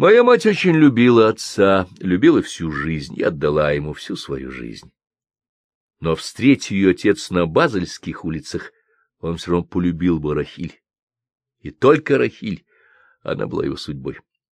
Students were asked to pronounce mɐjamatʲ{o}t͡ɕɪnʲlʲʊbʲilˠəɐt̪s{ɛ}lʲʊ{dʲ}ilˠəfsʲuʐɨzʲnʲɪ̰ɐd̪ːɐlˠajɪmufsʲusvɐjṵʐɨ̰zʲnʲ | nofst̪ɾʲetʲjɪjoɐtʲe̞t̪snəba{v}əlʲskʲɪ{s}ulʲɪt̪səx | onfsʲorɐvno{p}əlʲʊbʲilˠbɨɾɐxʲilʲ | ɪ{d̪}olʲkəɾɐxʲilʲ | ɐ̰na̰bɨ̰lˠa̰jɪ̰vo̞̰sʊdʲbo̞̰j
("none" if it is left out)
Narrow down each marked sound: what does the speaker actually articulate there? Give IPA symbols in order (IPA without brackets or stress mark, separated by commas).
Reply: o, a, bʲ, z, x, p, t̪